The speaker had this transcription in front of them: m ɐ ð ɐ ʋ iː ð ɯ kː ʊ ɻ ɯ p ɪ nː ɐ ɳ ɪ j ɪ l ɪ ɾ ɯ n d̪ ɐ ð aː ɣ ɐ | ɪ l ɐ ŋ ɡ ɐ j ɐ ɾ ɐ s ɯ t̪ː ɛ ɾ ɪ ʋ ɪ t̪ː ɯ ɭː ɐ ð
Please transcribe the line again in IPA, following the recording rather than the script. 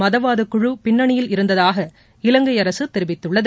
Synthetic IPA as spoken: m ɐ ð ɐ ʋ aː ð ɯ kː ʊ ɻ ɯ p ɪ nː ɐ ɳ ɪ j ɪ l ɪ ɾ ɯ n d̪ ɐ ð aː ɣ ɐ | ɪ l ɐ ŋ ɡ ɐ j ɐ ɾ ɐ s ɯ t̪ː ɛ ɾ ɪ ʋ ɪ t̪ː ɯ ɭː ɐ ð

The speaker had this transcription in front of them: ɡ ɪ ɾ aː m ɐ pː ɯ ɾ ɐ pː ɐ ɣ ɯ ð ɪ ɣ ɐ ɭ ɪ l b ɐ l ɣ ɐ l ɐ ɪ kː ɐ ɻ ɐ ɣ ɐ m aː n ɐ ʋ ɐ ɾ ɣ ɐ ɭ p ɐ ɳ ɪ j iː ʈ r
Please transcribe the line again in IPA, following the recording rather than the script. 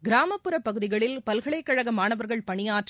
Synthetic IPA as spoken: ɡ ɪ ɾ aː m ɐ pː ɯ ɾ ɐ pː ɐ ɣ ɯ ð ɪ ɣ ɐ ɭ ɪ l p ɐ l ɣ ɐ ɭ ɐ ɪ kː ɐ ɻ ɐ ɣ ɐ m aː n ɐ ʋ ɐ ɾ ɣ ɐ ɭ p ɐ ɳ ɪ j aː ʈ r

